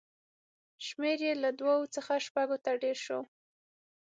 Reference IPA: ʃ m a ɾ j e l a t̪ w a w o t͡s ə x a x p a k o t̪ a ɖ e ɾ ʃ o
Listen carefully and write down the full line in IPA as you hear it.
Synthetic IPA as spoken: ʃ m e ɾ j e l a d̪ w a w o t͡s ə x a ʃ p a ɡ o t̪ a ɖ e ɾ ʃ o